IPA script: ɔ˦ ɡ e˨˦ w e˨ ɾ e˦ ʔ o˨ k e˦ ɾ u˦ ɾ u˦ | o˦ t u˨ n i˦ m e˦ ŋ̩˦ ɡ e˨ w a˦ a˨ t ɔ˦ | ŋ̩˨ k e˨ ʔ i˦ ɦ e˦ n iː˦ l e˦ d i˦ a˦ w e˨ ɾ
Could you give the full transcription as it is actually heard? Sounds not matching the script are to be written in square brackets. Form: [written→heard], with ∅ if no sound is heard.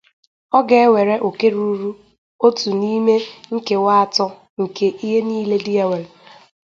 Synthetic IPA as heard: ɔ˦ ɡ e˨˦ w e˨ ɾ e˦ ʔ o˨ k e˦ ɾ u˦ ɾ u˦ | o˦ t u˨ n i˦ m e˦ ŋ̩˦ [ɡ→k] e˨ w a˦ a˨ t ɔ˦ | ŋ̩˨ k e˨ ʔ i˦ ɦ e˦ n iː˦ l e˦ d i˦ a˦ w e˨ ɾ

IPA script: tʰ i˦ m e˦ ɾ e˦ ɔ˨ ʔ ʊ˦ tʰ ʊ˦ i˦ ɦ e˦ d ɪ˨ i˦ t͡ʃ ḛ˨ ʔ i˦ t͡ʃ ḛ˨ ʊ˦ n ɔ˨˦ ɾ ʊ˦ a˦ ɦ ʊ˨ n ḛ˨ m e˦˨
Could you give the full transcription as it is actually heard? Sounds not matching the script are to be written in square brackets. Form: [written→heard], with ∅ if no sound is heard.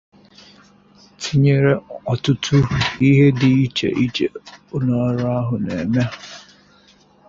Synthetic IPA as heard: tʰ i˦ [m→ɲ] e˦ ɾ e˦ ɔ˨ [ʔ→t] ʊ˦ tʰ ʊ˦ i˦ ɦ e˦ d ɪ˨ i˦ t͡ʃ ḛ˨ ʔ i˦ t͡ʃ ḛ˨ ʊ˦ n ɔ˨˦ ɾ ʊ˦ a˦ ɦ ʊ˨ n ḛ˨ m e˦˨

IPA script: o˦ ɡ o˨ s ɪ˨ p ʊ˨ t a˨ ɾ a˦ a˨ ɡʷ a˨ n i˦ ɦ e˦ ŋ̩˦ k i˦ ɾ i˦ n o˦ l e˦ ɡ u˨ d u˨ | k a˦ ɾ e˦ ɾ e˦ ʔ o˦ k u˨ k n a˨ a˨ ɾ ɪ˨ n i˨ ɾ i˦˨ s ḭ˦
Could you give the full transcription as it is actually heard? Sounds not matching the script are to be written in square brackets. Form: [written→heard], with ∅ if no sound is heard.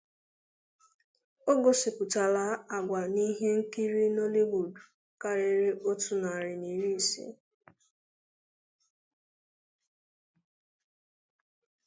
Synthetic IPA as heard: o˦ ɡ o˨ s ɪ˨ p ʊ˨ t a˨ [ɾ→l] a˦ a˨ ɡʷ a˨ n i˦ ɦ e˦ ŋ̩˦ k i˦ ɾ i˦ n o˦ l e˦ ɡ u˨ d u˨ | k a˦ ɾ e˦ ɾ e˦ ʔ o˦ [k→t] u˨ [k→∅] n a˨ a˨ ɾ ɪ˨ n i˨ ɾ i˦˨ s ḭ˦

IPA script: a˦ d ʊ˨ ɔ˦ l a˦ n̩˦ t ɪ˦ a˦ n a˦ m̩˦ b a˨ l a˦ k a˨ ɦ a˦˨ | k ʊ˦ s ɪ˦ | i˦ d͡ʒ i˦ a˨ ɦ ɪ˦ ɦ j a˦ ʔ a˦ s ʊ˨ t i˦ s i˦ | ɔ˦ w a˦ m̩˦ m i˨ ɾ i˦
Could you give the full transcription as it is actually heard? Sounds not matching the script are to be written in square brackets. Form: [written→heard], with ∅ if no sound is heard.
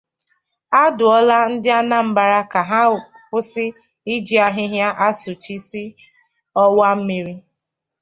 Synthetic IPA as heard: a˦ d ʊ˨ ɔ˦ l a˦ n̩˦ [t→d] ɪ˦ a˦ n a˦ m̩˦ b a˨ [l→ɾ] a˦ k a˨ ɦ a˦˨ | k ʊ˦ s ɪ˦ | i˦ d͡ʒ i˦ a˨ ɦ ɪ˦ ɦ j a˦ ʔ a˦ s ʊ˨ [t→t͡ʃ] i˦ s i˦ | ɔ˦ w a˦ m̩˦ m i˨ ɾ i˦

